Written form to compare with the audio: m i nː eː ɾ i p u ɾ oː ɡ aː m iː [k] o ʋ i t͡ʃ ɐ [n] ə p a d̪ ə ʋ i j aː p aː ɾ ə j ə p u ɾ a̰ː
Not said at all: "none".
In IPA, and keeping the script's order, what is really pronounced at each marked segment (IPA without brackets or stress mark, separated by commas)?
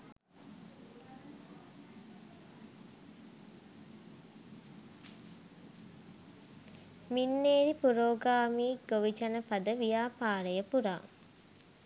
ɡ, n